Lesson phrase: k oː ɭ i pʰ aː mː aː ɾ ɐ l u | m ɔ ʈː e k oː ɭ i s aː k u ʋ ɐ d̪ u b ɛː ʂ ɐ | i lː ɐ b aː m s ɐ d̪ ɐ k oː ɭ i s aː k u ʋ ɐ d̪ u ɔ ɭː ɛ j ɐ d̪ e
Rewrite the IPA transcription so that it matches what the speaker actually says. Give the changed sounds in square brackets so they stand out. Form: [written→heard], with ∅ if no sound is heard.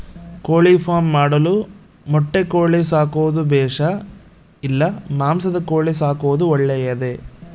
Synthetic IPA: k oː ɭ i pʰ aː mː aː [ɾ→ɽ] ɐ l u | m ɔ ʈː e k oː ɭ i s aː k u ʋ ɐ d̪ u b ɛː ʂ ɐ | i lː ɐ [b→m] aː m s ɐ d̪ ɐ k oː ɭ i s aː k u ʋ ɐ d̪ u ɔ ɭː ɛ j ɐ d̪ e